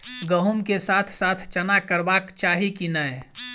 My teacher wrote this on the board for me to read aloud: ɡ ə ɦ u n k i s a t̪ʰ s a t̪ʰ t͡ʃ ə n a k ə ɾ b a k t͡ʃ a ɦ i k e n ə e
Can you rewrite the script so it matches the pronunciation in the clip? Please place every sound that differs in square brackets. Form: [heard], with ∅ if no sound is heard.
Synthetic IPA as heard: ɡ ə ɦ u [m] k [e] s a t̪ʰ s a t̪ʰ t͡ʃ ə n a k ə ɾ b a k t͡ʃ a ɦ i k [i] n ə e